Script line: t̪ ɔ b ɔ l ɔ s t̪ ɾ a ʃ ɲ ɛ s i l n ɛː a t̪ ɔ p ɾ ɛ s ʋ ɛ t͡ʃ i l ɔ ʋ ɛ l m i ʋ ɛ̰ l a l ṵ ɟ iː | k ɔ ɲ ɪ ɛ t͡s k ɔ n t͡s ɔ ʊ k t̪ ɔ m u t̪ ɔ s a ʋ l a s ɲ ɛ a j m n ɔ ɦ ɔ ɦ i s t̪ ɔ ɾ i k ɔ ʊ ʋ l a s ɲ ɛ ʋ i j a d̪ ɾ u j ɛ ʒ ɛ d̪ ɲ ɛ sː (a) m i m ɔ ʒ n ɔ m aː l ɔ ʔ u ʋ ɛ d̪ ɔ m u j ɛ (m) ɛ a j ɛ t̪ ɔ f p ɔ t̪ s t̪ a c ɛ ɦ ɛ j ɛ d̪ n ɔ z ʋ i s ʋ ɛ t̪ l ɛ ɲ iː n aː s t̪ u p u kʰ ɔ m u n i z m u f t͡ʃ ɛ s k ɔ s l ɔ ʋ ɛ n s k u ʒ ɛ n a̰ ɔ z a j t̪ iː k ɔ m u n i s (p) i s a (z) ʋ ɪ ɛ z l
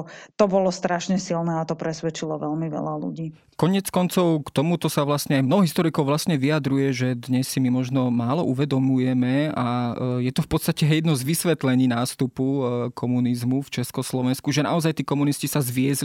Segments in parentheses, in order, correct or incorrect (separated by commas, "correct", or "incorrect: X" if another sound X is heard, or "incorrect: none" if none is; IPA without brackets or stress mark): incorrect: i, correct, incorrect: c, correct